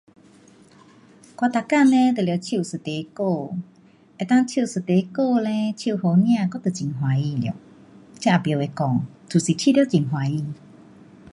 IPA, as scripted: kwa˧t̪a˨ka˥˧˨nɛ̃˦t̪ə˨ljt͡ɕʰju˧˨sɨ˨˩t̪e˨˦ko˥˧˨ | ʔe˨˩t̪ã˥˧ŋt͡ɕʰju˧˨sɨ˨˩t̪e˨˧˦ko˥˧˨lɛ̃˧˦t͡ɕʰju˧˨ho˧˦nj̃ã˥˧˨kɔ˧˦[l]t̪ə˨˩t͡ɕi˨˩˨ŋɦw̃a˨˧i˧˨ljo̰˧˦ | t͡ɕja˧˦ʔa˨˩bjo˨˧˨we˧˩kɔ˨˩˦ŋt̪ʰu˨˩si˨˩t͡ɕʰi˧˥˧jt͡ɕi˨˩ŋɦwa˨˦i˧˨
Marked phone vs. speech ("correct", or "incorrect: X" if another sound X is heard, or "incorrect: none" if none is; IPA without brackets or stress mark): incorrect: none